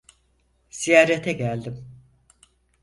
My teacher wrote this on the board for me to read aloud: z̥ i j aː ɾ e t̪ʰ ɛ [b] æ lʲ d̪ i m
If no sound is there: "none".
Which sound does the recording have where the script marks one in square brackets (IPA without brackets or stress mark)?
ɟ